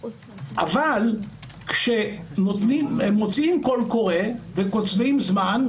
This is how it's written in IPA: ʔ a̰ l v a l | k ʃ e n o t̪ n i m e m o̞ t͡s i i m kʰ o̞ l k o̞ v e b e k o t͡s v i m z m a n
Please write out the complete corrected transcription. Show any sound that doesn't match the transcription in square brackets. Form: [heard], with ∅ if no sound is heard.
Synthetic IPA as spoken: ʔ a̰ [∅] v a l | k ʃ e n o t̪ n i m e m o̞ t͡s i i m [k] o̞ l k o̞ [ʁ] e [v] e k o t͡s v i m z m a n